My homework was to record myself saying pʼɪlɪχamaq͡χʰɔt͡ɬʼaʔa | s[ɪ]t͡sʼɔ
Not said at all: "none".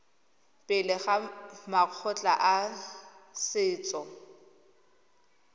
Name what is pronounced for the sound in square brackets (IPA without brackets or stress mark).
ɪː